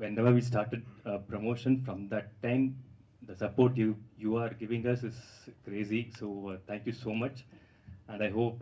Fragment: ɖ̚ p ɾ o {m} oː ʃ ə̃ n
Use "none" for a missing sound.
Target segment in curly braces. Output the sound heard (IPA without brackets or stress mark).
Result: m